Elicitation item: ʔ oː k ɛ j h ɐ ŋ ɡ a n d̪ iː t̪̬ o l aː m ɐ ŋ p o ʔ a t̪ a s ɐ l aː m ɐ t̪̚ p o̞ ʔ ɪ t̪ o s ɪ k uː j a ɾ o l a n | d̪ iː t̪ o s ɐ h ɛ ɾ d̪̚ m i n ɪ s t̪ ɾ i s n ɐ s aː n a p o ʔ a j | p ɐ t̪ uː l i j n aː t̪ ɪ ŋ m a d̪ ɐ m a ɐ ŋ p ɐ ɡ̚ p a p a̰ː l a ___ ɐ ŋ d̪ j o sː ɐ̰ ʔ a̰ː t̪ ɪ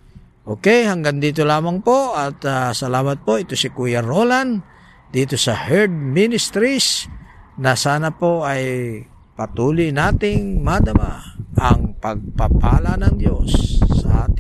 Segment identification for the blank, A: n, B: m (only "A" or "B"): A